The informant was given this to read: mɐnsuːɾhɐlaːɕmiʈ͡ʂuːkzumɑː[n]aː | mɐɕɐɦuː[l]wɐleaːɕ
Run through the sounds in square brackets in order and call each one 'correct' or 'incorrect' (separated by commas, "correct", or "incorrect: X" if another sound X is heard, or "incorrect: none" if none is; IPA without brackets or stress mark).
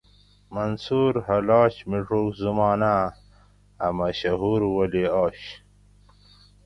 correct, incorrect: ɾ